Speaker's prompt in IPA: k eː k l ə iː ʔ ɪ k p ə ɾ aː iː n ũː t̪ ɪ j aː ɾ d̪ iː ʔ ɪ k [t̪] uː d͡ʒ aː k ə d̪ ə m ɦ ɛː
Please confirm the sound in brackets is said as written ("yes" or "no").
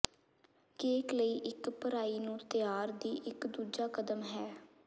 no